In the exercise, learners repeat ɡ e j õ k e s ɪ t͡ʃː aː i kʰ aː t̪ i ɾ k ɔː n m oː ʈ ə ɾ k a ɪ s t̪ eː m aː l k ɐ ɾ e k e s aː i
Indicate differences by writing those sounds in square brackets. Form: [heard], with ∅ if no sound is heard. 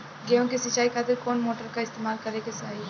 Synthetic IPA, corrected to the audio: ɡ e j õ k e s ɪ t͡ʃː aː i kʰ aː t̪ [ɪ] ɾ k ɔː n m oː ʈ ə ɾ k a ɪ s t̪ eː m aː l k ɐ ɾ e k e s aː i